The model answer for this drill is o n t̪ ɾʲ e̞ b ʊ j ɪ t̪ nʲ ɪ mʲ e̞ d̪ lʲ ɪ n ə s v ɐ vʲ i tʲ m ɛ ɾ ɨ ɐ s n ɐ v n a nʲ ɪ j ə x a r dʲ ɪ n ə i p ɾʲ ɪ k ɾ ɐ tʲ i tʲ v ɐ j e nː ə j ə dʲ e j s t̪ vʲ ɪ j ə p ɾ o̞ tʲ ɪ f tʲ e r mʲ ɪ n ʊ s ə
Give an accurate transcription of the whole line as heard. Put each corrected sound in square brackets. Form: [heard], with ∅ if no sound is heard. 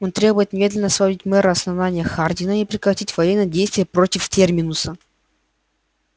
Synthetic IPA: o n t̪ ɾʲ e̞ b ʊ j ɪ t̪ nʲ ɪ mʲ e̞ d̪ lʲ ɪ n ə s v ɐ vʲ i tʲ m ɛ ɾ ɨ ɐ s n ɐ v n a nʲ ɪ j ə x a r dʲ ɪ n ə i p ɾʲ ɪ k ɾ ɐ tʲ i tʲ v ɐ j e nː ə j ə dʲ e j s t̪ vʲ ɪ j ə p ɾ o̞ tʲ ɪ f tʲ e r mʲ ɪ n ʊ s ə